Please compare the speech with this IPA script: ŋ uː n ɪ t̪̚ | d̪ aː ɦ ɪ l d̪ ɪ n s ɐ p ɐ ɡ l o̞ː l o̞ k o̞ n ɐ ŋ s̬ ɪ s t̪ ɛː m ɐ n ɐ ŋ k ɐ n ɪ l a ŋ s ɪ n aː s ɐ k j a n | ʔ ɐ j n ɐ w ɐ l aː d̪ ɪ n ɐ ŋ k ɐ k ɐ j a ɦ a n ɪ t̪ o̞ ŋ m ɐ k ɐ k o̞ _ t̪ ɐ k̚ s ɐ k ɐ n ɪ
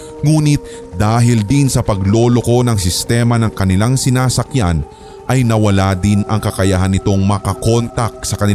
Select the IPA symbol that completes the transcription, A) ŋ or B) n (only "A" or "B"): B